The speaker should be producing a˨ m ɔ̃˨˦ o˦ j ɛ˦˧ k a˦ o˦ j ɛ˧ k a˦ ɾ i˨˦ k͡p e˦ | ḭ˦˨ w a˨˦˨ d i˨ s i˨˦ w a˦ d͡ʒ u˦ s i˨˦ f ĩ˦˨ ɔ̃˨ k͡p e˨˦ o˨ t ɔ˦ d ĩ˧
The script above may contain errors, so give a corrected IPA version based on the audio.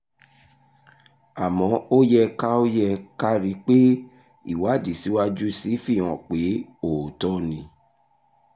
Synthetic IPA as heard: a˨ m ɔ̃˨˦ o˦ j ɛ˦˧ k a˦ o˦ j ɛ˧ k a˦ ɾ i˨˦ k͡p e˦ | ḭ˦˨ w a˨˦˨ d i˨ s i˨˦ w a˦ d͡ʒ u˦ s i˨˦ f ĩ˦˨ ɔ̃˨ k͡p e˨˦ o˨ t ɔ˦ n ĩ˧